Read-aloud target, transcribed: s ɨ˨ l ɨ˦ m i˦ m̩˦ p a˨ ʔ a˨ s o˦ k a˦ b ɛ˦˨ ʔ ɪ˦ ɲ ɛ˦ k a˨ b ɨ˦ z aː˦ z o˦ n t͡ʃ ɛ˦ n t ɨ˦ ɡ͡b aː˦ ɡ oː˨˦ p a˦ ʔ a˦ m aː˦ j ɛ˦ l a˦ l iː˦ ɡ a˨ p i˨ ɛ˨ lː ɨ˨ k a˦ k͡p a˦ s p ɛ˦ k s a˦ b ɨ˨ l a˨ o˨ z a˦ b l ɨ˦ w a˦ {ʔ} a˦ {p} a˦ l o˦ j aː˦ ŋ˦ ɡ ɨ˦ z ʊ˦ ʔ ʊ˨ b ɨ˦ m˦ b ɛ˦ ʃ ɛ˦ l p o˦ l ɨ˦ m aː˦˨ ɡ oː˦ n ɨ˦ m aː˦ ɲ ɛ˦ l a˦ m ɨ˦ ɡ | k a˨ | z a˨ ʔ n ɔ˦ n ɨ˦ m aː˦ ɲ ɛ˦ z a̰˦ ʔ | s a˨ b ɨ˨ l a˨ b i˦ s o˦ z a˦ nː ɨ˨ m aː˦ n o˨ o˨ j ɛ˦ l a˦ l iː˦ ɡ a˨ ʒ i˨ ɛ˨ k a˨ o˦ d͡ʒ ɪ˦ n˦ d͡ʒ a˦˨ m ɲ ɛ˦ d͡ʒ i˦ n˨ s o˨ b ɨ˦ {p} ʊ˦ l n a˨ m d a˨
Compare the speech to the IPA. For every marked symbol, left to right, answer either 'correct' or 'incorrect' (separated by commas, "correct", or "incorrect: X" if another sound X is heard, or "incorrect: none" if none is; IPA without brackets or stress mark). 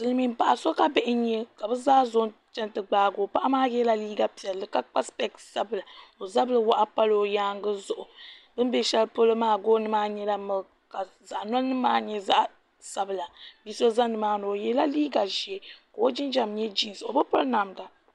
correct, correct, correct